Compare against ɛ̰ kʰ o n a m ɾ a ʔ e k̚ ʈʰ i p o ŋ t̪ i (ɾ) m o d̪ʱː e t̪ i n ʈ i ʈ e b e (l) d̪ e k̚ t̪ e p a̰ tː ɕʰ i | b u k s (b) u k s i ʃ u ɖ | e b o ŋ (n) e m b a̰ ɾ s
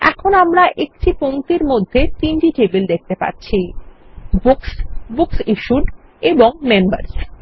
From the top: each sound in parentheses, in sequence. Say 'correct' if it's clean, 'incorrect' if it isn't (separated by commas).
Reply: correct, correct, correct, incorrect